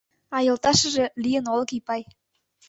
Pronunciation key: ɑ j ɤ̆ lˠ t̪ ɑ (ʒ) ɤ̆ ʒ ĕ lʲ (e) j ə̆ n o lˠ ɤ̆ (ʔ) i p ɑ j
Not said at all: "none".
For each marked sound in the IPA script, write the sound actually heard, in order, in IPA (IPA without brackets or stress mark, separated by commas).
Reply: ʃ, i, k